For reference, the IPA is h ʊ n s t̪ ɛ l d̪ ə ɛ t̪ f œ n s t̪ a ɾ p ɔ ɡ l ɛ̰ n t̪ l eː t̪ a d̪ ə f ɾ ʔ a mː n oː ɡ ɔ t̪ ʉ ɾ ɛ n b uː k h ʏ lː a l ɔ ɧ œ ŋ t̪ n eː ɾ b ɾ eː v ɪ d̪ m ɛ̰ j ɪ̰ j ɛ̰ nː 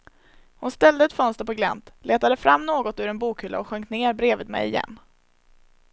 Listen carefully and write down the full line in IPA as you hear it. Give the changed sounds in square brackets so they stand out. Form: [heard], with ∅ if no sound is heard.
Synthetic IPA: h ʊ n s t̪ ɛ l d̪ ə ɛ t̪ f œ n s t̪ [ə] ɾ p ɔ ɡ l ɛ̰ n t̪ l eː t̪ a d̪ ə f ɾ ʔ a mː n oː ɡ ɔ t̪ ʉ ɾ ɛ n b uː k h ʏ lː a [∅] ɔ ɧ œ ŋ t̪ n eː ɾ b ɾ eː v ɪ d̪ m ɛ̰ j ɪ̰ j ɛ̰ nː